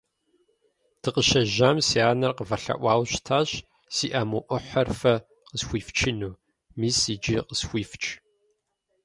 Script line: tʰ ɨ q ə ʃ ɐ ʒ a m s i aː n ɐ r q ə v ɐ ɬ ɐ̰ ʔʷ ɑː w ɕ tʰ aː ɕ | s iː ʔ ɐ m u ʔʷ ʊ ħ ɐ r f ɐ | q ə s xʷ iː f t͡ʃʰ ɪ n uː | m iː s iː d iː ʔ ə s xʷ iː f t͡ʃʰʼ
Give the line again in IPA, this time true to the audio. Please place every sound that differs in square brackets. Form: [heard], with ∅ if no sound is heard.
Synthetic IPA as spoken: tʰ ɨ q ə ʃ ɐ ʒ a m s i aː n ɐ r q ə v ɐ ɬ ɐ̰ ʔʷ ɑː w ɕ tʰ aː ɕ | s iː ʔ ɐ m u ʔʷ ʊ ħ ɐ r f ɐ | q ə s xʷ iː f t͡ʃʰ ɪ n uː | m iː s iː [d͡ʒ] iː [q] ə s xʷ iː f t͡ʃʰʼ

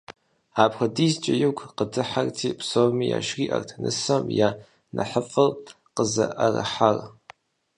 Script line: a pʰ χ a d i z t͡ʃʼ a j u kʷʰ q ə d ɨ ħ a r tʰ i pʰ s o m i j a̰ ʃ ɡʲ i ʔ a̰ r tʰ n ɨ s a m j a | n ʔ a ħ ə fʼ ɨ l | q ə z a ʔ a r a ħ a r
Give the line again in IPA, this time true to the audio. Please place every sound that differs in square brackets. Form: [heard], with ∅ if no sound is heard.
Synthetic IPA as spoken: a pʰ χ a d i z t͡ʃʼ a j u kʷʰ q ə d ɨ ħ a r tʰ i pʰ s o m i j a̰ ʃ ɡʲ i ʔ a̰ r tʰ n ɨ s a m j a | n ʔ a ħ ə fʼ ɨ l | q ə z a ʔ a r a ħ a r

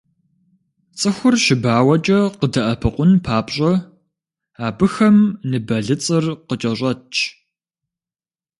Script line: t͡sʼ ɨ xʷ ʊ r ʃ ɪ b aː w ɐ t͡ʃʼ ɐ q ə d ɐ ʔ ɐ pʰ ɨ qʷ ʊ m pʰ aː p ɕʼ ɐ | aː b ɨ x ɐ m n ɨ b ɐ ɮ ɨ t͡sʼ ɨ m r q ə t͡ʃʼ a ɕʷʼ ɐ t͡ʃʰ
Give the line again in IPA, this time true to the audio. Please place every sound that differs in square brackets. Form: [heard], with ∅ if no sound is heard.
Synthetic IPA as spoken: t͡sʼ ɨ xʷ ʊ r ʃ ɪ b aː w ɐ t͡ʃʼ ɐ q ə d ɐ ʔ ɐ pʰ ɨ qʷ ʊ [n] pʰ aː p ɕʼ ɐ | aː b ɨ x ɐ m n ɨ b ɐ ɮ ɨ t͡sʼ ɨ [∅] r q ə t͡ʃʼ [ɐ] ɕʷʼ ɐ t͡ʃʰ

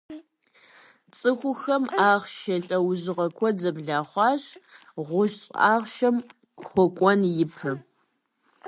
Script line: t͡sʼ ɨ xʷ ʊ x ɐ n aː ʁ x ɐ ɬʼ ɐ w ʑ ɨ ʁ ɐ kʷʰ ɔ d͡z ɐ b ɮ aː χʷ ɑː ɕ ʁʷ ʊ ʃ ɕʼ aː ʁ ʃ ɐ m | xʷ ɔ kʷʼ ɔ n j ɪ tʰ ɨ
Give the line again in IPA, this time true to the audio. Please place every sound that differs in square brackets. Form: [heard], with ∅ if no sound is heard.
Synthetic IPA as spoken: t͡sʼ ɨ xʷ ʊ x ɐ [m] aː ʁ [ʃ] ɐ ɬʼ ɐ w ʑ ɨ ʁ ɐ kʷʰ ɔ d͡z ɐ b ɮ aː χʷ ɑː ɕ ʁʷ ʊ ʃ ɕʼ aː ʁ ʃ ɐ m | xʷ ɔ kʷʼ ɔ n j ɪ [pʰ] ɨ

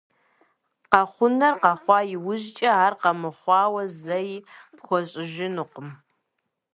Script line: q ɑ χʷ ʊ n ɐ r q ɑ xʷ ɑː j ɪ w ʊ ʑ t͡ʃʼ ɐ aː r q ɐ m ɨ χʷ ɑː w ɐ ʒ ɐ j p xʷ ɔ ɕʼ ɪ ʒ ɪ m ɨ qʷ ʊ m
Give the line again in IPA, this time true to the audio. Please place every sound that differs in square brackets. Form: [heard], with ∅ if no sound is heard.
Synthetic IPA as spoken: q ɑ χʷ ʊ n ɐ r q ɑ [χʷ] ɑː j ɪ w ʊ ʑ t͡ʃʼ ɐ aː r q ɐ m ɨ χʷ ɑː w ɐ [z] ɐ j p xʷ ɔ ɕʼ ɪ ʒ ɪ [n] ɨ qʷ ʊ m

